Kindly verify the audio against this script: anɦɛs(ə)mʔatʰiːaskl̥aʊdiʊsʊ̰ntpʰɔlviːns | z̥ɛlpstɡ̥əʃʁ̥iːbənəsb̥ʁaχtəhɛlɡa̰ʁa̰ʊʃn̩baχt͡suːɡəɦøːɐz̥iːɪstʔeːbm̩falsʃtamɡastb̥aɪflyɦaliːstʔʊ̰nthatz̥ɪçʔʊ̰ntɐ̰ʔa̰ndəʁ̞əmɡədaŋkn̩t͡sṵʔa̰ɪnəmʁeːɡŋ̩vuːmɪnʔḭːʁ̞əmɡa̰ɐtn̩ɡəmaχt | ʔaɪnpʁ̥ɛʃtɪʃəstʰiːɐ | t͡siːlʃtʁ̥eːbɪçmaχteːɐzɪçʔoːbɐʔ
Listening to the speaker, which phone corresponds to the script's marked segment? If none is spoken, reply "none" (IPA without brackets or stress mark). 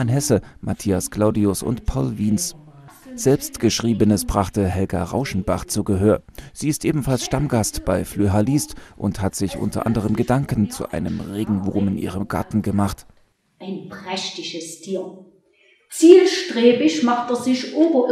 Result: ə